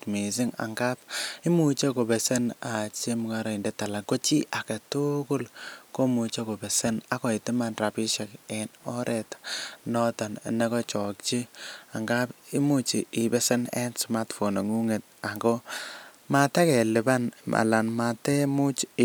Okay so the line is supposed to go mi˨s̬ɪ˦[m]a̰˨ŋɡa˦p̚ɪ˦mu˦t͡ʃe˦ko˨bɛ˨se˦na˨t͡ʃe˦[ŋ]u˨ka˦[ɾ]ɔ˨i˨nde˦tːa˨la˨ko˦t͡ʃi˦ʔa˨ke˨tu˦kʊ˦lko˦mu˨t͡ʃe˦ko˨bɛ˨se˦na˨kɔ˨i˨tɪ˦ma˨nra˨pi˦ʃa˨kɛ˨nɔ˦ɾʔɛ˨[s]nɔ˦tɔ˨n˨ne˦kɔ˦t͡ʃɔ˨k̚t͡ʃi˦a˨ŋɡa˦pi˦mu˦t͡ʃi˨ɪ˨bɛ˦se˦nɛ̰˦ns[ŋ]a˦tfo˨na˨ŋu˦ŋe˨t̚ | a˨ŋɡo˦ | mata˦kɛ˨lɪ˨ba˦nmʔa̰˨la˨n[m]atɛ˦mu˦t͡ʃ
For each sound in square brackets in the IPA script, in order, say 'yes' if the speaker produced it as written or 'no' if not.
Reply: no, no, yes, no, no, yes

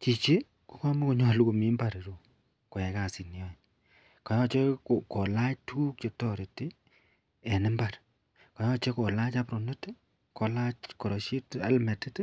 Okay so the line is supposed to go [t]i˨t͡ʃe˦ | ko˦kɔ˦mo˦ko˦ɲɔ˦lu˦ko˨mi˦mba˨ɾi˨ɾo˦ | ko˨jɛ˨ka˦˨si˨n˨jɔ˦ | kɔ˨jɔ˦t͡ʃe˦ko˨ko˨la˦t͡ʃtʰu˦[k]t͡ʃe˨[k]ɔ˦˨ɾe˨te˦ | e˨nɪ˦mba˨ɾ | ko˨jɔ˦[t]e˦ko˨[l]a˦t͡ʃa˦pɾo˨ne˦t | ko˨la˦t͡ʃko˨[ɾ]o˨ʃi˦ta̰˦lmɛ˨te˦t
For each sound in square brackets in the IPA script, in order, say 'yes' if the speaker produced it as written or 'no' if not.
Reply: no, yes, no, no, yes, yes

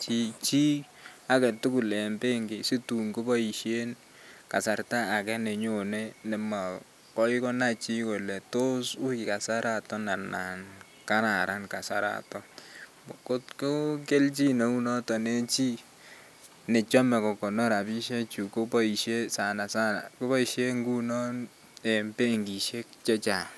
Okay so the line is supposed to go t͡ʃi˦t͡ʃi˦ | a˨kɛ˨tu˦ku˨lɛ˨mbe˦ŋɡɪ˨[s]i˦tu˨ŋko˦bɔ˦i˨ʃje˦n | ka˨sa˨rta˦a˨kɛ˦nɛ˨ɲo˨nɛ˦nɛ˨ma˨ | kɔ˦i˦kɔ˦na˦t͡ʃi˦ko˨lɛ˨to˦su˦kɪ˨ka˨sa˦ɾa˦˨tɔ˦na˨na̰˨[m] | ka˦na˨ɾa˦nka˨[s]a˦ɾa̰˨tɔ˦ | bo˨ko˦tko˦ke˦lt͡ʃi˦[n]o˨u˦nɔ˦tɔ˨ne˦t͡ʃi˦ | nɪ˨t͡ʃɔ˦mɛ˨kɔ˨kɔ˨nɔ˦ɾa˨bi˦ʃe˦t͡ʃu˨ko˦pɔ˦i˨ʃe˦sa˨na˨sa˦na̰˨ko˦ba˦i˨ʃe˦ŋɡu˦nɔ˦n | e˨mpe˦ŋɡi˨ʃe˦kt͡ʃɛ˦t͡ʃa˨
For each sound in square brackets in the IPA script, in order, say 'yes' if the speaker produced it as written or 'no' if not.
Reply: yes, no, yes, yes

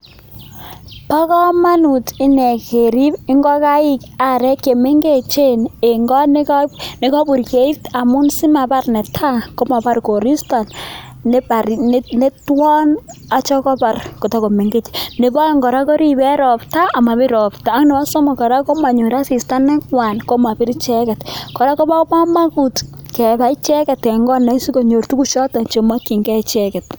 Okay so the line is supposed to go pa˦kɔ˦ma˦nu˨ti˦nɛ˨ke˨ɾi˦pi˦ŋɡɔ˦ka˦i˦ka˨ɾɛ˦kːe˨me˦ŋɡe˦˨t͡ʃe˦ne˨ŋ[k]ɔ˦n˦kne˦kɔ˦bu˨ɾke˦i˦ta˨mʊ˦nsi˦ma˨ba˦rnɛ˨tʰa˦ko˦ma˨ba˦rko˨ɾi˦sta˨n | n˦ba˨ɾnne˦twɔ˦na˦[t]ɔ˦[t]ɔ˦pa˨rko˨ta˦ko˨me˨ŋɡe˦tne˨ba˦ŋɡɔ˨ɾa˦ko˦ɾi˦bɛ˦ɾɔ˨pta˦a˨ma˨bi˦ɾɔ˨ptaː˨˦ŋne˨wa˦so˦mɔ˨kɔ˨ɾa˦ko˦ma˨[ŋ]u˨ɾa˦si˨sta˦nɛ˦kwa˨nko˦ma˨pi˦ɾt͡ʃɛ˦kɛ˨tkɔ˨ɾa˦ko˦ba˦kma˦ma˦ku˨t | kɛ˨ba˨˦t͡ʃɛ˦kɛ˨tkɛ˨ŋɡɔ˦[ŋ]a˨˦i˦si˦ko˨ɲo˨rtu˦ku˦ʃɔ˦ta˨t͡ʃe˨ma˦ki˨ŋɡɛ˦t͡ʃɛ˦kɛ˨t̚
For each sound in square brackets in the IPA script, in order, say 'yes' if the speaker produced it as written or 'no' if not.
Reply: no, no, no, no, no

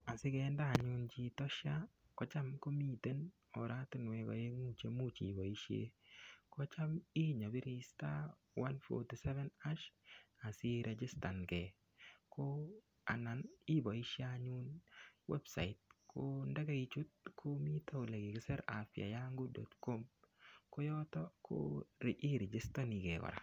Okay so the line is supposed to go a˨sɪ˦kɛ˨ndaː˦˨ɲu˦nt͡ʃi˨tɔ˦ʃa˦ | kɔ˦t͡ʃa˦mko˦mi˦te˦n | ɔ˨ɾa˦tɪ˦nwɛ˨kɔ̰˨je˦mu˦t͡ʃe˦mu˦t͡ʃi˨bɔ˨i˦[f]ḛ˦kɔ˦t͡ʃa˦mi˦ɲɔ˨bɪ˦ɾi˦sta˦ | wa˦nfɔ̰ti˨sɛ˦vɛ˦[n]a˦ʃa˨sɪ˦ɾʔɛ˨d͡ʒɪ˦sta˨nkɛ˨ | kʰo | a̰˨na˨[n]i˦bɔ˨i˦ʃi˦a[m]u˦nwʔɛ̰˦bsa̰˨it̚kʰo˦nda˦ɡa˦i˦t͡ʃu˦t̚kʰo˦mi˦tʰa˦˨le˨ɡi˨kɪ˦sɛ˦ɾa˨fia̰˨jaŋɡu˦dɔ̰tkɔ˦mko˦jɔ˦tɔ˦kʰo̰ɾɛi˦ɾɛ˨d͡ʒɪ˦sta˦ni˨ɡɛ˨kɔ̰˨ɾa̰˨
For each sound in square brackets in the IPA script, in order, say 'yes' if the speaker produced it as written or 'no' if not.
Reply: no, yes, yes, no

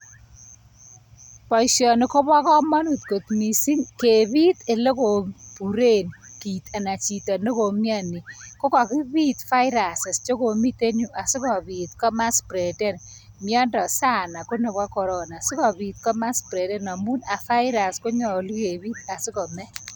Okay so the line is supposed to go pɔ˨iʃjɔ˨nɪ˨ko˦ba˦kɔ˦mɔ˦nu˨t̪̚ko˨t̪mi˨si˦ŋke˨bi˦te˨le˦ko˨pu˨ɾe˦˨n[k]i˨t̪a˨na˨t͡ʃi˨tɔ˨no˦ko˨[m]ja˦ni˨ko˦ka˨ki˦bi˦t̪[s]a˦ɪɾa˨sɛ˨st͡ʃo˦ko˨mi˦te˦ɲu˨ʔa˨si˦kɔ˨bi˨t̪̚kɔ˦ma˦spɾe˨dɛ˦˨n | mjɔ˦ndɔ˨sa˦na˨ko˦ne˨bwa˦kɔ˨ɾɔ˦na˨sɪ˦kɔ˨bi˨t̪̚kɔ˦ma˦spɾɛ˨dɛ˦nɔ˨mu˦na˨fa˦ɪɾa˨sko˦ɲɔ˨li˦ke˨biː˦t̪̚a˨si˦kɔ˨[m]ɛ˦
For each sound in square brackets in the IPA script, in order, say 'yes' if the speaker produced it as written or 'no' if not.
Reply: yes, yes, no, yes

